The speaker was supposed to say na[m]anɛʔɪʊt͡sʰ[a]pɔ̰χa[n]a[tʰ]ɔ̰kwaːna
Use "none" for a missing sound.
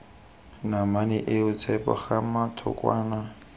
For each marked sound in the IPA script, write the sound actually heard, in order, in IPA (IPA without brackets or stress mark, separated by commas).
m, ɛ, m, tʰ